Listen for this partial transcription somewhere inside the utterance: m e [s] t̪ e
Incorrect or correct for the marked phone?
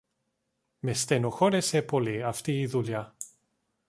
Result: correct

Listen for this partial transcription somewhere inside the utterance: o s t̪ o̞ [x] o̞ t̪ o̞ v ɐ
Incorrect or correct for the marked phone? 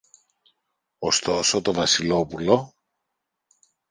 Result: incorrect: s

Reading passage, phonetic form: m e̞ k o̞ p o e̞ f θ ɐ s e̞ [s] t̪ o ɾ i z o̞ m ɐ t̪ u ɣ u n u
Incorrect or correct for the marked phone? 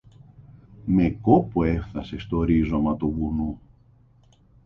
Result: correct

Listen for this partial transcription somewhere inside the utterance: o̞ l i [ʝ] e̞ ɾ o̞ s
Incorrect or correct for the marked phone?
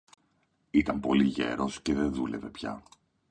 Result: correct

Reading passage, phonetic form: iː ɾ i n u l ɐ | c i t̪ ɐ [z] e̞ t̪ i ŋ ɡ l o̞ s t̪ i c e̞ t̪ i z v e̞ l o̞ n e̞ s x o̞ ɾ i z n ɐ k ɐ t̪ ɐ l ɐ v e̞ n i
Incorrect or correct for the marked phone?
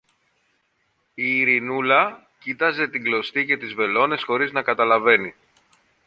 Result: correct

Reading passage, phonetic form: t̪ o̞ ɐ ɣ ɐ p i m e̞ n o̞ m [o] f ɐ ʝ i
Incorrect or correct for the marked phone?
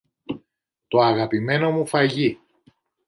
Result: incorrect: u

